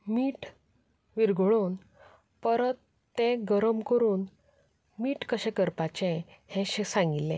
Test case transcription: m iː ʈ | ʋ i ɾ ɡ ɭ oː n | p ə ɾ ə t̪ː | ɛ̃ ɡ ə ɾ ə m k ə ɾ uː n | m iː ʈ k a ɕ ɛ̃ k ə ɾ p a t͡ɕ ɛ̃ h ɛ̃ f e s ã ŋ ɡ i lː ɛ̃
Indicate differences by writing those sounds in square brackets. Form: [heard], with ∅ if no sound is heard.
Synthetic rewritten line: m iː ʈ | ʋ i ɾ ɡ ɭ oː n | p ə ɾ ə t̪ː | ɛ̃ ɡ ə ɾ ə m k ə ɾ uː n | m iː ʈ k [ə] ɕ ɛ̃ k ə ɾ p a t͡ɕ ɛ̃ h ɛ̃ [ɕ] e s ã ŋ ɡ i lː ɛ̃